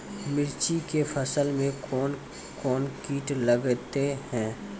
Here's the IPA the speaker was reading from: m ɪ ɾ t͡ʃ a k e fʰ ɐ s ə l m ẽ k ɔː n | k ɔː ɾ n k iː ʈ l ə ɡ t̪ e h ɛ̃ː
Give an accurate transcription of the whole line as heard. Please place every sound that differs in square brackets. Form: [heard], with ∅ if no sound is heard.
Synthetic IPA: m ɪ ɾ t͡ʃ [i] k e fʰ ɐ s ə l m ẽ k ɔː n | k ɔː [∅] n k iː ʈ l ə ɡ t̪ e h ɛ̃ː